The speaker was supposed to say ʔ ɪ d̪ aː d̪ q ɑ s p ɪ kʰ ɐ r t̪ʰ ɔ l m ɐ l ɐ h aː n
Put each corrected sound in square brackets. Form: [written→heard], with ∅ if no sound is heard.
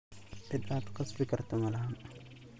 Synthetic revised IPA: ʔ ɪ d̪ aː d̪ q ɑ s [p→b] ɪ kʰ ɐ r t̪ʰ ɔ [l→∅] m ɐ l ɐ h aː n